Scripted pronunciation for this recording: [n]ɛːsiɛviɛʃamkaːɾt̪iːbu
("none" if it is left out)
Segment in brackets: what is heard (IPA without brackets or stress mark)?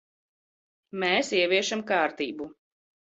m